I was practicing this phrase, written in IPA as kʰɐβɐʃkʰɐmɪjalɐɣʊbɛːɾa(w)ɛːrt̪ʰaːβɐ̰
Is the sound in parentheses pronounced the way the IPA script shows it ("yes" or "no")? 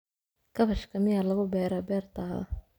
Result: no